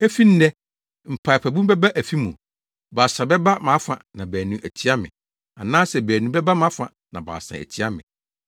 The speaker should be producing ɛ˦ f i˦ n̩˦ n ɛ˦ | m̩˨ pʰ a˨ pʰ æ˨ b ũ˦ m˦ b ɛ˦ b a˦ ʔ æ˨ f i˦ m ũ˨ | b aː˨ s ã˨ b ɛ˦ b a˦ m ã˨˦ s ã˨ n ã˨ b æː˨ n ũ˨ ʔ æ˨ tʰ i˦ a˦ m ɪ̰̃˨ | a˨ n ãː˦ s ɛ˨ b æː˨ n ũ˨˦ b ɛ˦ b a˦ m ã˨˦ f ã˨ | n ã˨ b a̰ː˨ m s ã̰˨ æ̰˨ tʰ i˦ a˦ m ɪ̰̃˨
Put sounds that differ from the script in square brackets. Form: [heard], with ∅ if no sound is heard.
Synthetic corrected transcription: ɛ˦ f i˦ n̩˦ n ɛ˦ | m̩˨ pʰ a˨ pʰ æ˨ b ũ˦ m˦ b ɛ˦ b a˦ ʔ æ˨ f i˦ m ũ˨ | b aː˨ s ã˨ b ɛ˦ b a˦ m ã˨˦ [f] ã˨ n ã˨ b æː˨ n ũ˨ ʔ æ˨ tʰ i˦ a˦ m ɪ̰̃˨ | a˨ n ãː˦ s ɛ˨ b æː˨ n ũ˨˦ b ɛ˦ b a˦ m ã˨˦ f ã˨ | n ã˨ b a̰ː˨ [∅] s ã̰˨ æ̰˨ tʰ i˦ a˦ m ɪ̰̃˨

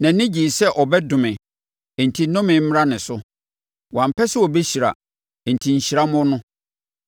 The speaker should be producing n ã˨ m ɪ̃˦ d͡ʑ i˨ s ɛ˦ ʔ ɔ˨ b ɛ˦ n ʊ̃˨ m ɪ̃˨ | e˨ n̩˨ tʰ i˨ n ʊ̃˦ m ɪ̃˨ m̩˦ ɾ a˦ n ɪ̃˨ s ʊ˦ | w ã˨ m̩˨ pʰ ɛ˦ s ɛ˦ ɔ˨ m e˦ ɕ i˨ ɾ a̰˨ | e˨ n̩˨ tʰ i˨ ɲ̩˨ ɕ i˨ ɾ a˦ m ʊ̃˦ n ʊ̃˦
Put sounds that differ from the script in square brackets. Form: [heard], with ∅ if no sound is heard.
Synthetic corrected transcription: n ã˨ [n] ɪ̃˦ d͡ʑ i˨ s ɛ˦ ʔ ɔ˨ b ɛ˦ [d] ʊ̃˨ m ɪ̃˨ | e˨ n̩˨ tʰ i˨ n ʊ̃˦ m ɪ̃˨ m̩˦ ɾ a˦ n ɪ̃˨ s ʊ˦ | w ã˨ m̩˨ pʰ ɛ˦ s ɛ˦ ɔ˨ [b] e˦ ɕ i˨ ɾ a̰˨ | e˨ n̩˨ tʰ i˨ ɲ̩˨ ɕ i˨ ɾ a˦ m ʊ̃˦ n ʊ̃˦

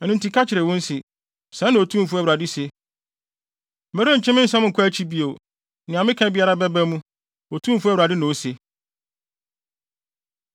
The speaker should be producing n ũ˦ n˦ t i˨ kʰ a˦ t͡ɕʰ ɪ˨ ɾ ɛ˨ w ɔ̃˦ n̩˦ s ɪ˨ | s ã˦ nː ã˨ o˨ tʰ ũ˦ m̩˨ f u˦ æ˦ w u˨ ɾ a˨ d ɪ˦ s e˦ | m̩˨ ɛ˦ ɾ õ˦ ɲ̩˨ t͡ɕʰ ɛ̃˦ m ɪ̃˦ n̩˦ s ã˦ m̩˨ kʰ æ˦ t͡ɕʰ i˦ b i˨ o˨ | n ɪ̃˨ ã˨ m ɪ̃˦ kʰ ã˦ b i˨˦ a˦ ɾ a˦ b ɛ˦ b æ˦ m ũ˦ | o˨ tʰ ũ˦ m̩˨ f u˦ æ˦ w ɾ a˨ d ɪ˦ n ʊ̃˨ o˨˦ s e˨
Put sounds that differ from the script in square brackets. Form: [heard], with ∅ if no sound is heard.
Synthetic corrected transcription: n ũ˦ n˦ t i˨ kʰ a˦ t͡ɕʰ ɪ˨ ɾ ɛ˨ w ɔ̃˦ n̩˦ s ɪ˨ | s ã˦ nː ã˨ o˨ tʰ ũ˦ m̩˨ f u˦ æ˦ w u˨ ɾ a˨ d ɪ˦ s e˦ | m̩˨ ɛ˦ ɾ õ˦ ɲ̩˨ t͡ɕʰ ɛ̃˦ m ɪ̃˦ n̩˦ s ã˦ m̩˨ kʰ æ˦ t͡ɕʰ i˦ b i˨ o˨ | n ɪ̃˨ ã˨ m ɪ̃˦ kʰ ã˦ b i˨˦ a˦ ɾ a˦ b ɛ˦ b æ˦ m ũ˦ | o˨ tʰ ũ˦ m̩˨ f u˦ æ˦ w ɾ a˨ d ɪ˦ n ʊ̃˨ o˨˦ s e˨

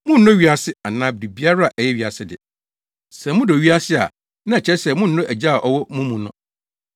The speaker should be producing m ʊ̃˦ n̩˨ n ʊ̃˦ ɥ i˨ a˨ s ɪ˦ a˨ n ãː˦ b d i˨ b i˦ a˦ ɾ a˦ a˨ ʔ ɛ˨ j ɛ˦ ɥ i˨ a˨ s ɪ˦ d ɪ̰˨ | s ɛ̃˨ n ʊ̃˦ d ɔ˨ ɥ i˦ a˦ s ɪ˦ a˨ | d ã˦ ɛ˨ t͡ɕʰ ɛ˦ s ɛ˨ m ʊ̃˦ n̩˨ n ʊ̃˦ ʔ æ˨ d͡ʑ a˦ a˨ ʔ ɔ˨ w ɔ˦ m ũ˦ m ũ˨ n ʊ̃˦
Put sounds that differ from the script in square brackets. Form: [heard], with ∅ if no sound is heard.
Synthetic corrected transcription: m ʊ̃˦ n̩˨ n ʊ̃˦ ɥ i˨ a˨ s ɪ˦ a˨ n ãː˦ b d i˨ b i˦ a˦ ɾ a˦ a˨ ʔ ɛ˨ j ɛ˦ ɥ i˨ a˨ s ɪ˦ d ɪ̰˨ | s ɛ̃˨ [m] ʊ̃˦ d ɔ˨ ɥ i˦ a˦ s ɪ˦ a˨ | [n] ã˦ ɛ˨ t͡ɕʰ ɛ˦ s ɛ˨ m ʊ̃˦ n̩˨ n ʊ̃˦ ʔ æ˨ d͡ʑ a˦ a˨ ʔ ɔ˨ w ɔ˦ m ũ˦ m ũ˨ n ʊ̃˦

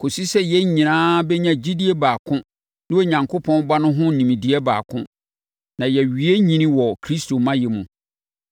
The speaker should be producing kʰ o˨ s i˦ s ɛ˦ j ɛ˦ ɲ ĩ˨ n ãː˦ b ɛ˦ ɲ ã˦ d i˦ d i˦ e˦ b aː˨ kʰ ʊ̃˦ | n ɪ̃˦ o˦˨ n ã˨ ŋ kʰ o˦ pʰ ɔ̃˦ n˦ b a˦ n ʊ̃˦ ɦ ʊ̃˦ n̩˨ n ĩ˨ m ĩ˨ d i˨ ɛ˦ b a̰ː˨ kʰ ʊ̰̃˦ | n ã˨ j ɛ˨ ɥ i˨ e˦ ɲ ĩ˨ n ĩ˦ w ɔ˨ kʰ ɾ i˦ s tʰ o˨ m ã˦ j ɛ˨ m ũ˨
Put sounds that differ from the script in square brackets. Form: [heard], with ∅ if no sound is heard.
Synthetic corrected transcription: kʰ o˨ s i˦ s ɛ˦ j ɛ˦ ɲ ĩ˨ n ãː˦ b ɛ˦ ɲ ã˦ [d͡ʑ] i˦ d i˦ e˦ b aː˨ kʰ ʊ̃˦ | n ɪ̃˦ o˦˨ [ɲ] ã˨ ŋ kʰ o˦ pʰ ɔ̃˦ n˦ b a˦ n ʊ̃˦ ɦ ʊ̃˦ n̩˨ n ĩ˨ m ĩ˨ d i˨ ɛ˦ b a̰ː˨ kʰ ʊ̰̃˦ | n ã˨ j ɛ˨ ɥ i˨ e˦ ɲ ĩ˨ n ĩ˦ w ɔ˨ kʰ ɾ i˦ s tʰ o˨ m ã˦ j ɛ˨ m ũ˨

